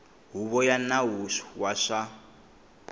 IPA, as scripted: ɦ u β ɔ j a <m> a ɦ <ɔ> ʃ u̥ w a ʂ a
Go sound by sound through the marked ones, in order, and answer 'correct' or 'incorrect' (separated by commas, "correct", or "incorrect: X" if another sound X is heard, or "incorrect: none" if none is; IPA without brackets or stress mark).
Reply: incorrect: n, incorrect: u